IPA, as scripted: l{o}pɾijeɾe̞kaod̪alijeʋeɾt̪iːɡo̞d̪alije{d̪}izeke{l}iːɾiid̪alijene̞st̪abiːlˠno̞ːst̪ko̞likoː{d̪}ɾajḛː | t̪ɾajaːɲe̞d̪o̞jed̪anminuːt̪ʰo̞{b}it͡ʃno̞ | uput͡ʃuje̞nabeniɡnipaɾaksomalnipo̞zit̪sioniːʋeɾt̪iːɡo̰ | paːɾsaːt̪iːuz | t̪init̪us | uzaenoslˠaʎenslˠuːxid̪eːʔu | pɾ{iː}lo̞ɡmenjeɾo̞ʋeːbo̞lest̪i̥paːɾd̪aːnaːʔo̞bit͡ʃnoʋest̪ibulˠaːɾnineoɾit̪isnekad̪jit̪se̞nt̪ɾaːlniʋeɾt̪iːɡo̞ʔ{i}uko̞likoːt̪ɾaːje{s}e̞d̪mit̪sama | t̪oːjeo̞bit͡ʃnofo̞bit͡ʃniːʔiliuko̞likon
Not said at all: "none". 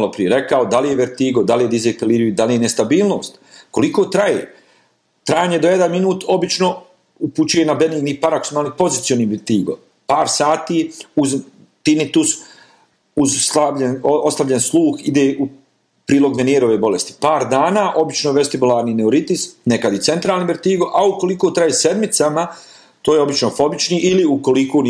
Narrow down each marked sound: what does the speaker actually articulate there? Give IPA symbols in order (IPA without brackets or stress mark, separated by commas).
o, d̪, l, t̪, b, iː, a, s